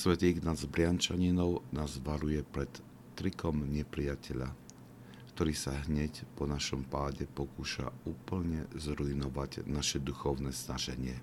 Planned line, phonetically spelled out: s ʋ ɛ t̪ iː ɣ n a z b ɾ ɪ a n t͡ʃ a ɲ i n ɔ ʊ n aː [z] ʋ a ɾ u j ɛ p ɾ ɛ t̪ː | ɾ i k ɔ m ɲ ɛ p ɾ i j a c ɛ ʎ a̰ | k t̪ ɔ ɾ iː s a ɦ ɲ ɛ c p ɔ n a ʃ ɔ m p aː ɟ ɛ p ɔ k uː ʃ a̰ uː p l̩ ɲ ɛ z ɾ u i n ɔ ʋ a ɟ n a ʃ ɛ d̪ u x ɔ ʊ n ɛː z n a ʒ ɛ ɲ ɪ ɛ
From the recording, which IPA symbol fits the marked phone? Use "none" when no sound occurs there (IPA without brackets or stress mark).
z